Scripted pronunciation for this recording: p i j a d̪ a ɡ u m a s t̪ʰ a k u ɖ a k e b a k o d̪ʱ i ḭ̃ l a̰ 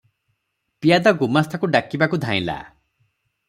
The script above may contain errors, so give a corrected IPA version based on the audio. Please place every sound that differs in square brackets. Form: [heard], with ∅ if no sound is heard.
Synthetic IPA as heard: p i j a d̪ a ɡ u m a s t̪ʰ a k u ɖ a k [i] b a k [u] d̪ʱ [a] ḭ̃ l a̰

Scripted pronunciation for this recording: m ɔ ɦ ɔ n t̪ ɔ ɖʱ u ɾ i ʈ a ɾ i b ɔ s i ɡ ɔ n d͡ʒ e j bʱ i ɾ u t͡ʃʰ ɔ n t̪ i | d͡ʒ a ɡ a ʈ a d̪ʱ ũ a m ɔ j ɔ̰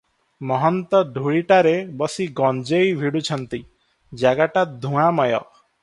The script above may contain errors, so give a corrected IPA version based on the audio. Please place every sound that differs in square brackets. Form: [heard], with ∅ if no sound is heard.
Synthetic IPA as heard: m ɔ ɦ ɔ n t̪ ɔ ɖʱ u [ɭ] i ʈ a ɾ [e] b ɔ s i ɡ ɔ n d͡ʒ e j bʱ i [ɽ] u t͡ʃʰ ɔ n t̪ i | d͡ʒ a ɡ a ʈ a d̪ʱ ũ a m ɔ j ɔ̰

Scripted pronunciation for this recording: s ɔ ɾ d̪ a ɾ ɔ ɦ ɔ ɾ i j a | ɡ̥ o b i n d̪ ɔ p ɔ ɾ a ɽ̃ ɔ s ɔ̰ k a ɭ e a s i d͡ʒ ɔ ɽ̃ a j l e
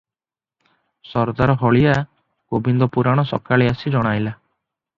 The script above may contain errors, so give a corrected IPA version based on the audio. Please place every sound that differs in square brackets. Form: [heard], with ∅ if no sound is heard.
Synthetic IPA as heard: s ɔ ɾ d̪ a ɾ ɔ ɦ ɔ [ɭ] i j a | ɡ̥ o b i n d̪ ɔ p [u] ɾ a ɽ̃ ɔ s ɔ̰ k a ɭ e a s i d͡ʒ ɔ ɽ̃ a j l [a]

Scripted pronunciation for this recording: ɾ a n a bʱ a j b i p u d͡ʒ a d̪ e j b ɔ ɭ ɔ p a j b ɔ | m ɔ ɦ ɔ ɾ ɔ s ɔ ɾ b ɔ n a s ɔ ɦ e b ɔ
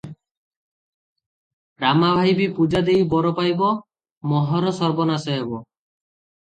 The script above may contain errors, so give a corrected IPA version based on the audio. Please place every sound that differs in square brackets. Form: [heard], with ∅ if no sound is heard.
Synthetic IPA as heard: ɾ a [m] a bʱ a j b i p u d͡ʒ a d̪ e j b ɔ [ɾ] ɔ p a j b ɔ | m ɔ ɦ ɔ ɾ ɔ s ɔ ɾ b ɔ n a s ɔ ɦ e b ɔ

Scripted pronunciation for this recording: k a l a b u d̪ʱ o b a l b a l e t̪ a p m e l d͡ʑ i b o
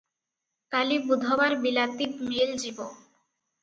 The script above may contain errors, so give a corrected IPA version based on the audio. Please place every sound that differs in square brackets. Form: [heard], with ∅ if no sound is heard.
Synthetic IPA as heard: k a l [i] b u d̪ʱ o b a [ɾ] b [i] l [a] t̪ [i] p m e l d͡ʑ i b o

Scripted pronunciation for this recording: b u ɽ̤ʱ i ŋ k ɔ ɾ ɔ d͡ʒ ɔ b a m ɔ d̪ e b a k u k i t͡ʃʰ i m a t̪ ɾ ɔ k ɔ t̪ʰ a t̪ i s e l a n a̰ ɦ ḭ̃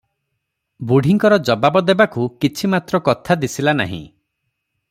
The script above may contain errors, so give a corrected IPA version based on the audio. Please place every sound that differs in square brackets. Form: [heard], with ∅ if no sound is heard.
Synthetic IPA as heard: b u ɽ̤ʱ i ŋ k ɔ ɾ ɔ d͡ʒ ɔ b a [b] ɔ d̪ e b a k u k i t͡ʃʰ i m a t̪ ɾ ɔ k ɔ t̪ʰ a [d̪] i s [i] l a n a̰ ɦ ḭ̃

